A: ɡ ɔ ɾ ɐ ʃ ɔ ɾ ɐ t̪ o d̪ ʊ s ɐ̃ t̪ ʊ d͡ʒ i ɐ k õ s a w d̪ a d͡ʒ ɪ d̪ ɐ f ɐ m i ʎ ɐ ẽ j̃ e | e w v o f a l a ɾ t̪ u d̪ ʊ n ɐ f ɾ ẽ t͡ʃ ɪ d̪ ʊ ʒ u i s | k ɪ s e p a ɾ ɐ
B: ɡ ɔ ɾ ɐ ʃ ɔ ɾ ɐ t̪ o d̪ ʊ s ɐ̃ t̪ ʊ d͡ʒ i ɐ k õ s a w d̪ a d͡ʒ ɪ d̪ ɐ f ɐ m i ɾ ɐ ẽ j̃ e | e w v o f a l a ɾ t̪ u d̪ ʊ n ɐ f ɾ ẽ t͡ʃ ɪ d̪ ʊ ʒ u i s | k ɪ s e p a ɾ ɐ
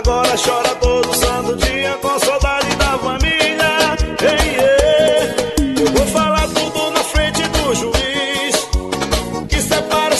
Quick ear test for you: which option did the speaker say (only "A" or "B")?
A